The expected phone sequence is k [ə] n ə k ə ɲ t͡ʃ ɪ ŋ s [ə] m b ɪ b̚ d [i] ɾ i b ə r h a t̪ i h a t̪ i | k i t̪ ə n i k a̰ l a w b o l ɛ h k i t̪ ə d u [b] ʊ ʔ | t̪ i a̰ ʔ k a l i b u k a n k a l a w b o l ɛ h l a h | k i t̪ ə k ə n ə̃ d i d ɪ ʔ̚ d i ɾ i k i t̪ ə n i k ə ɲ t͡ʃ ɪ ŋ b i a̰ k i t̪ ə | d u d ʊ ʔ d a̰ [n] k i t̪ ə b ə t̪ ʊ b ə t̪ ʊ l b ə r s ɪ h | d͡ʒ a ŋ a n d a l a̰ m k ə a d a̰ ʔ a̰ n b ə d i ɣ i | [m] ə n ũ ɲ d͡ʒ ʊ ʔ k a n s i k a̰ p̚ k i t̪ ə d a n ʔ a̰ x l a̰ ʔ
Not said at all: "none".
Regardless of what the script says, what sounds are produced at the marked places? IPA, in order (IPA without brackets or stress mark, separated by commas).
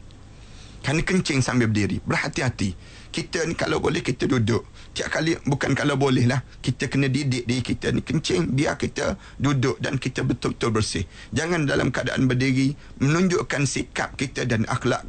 a, a, i, d, n, m